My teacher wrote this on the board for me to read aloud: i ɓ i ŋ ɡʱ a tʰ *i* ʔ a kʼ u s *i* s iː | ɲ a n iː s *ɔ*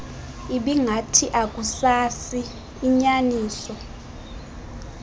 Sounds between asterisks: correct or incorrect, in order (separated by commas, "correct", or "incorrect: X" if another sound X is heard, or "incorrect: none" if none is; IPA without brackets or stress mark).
correct, incorrect: a, correct